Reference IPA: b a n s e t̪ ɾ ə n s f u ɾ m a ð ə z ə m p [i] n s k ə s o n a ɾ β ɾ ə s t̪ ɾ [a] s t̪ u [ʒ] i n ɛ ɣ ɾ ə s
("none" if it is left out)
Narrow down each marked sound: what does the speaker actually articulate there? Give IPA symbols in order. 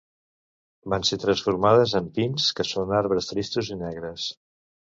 i, i, z

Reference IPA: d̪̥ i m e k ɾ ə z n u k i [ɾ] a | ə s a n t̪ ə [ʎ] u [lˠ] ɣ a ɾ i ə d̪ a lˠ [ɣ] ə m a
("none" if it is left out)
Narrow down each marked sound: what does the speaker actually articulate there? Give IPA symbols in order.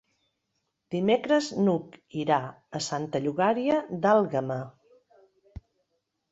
ɾ, ʎ, none, ɣ

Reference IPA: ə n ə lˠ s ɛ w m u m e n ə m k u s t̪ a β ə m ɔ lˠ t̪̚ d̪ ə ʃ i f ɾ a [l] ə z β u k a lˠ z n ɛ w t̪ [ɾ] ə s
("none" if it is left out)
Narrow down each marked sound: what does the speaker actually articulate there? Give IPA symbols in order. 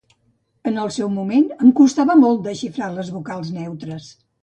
l, ɾ

